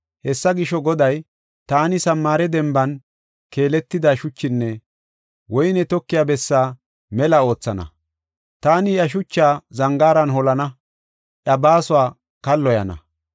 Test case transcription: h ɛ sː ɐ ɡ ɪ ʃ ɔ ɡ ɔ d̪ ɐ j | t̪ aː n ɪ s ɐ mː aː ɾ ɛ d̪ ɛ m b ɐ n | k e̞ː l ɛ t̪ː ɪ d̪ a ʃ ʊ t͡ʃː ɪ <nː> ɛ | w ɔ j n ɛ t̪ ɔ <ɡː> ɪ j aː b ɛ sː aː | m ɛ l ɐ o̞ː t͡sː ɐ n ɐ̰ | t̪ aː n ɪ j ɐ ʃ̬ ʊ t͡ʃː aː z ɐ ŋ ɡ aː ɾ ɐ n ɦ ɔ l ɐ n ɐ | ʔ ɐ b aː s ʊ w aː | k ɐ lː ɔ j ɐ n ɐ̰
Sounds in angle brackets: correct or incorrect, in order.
correct, incorrect

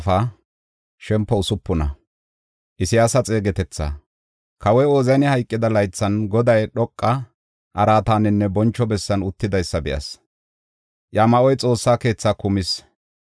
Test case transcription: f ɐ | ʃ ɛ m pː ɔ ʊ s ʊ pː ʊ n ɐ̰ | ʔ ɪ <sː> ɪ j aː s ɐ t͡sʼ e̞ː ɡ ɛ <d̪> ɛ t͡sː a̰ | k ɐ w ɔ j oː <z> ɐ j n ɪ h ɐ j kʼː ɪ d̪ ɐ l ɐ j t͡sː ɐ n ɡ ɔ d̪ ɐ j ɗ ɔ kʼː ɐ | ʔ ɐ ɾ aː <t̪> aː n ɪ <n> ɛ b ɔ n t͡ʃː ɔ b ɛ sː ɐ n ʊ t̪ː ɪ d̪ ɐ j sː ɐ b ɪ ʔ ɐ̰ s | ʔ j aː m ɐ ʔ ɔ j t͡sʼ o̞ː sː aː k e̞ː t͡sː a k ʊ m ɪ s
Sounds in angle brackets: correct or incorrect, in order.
incorrect, incorrect, correct, correct, incorrect

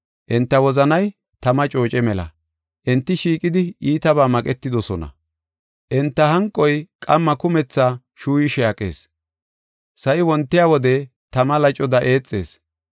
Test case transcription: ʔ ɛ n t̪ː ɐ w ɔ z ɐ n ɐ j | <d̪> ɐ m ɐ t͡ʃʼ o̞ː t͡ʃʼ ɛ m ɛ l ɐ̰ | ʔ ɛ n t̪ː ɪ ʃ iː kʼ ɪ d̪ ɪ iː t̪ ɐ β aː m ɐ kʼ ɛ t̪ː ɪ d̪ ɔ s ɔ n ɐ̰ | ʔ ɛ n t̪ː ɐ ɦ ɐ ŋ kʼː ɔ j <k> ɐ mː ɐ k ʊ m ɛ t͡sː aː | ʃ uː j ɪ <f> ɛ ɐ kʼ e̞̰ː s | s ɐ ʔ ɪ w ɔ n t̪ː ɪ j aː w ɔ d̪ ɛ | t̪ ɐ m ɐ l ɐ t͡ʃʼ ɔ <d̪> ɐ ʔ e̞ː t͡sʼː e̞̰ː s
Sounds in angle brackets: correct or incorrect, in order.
incorrect, incorrect, incorrect, correct

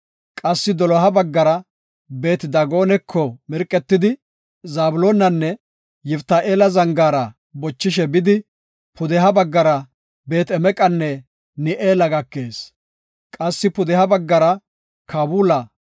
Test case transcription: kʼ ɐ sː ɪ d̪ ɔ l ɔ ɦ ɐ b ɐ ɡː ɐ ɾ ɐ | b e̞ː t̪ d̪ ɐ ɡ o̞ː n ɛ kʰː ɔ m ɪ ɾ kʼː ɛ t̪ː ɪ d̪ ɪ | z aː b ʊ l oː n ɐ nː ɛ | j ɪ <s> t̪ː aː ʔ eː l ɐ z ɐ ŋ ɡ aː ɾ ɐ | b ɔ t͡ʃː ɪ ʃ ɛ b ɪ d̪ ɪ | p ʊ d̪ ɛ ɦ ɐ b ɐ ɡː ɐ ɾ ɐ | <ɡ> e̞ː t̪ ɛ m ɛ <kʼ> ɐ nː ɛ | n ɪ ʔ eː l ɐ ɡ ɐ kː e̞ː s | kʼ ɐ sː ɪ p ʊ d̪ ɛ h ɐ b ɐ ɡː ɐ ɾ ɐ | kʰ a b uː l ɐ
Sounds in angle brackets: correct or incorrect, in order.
incorrect, incorrect, correct

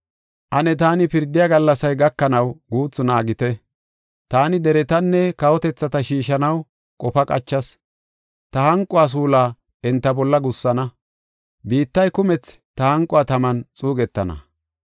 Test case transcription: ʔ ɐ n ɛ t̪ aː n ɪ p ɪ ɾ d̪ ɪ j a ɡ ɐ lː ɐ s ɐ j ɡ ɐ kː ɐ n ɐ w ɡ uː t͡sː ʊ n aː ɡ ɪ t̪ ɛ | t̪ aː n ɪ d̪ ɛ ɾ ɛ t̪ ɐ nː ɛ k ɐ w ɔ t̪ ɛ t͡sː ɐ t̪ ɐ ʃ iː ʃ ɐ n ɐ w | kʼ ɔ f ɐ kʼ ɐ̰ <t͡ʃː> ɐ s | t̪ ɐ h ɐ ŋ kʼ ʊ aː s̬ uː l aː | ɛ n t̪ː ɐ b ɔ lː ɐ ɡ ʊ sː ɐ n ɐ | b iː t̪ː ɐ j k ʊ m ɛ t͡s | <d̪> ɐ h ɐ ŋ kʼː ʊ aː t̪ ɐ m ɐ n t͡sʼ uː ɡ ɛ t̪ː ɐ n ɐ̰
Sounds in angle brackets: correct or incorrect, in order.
correct, incorrect

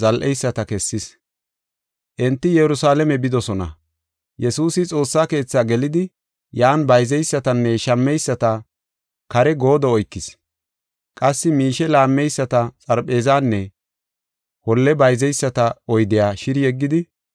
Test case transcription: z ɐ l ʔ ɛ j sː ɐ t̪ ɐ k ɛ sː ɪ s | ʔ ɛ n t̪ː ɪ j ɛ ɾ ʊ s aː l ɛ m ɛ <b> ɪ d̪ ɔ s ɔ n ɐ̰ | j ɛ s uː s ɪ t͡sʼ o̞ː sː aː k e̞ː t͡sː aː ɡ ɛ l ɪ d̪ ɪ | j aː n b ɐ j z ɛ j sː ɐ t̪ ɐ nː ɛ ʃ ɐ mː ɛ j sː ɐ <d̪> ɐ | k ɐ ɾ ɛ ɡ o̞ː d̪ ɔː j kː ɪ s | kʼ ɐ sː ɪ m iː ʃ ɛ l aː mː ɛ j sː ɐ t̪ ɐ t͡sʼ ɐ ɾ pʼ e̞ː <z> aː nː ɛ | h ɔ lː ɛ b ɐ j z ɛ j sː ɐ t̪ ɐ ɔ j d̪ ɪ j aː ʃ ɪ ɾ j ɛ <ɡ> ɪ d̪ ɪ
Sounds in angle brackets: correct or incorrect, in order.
correct, incorrect, correct, incorrect

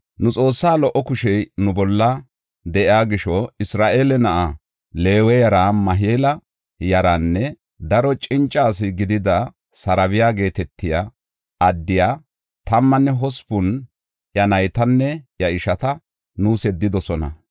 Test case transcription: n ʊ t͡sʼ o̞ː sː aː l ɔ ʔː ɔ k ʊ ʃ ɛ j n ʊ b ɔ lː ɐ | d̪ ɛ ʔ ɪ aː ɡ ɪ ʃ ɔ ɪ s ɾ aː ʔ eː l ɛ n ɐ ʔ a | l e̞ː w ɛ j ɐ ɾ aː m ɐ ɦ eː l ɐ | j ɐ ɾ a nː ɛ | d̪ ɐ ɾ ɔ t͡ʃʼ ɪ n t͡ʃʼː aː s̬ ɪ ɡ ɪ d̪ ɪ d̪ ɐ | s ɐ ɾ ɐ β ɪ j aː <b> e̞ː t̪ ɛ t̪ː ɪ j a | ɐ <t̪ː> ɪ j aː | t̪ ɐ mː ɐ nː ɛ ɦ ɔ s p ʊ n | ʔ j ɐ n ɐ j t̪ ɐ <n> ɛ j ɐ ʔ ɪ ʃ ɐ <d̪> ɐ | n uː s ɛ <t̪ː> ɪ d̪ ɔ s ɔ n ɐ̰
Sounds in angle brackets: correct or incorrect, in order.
incorrect, incorrect, incorrect, incorrect, incorrect

